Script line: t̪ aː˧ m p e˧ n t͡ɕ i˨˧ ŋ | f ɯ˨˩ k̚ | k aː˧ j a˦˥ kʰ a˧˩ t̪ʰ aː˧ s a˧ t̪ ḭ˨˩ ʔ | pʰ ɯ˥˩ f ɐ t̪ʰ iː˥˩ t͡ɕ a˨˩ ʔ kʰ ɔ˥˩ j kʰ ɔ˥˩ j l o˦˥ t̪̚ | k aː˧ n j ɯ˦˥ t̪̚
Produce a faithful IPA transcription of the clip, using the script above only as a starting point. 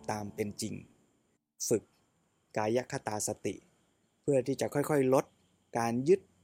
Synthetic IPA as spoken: t̪ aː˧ m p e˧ n t͡ɕ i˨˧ ŋ | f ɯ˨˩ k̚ | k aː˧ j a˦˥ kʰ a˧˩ t̪ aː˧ s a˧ t̪ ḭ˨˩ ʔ | pʰ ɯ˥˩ ɐ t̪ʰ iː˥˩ t͡ɕ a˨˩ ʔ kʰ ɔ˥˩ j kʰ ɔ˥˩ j l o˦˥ t̪̚ | k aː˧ n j ɯ˦˥ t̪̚